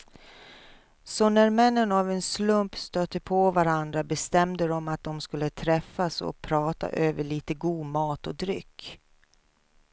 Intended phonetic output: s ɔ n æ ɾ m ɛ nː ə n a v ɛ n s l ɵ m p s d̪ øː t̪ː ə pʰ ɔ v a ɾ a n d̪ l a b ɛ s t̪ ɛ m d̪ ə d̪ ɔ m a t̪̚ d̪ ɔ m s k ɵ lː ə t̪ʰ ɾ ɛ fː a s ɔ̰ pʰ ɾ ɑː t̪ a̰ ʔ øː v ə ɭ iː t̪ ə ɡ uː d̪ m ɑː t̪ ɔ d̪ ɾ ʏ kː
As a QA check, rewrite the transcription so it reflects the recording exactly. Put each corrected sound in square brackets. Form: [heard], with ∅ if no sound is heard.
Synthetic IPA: s ɔ n æ ɾ m ɛ nː ə n a v ɛ n s l ɵ m p s [t̪] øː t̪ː ə pʰ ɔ v a ɾ a n d̪ [ɾ] a b ɛ s t̪ ɛ m d̪ ə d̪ ɔ m a t̪̚ d̪ ɔ m s k ɵ lː ə t̪ʰ ɾ ɛ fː a s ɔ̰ pʰ ɾ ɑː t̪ a̰ ʔ øː v ə ɭ iː t̪ ə ɡ uː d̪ m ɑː t̪ ɔ d̪ ɾ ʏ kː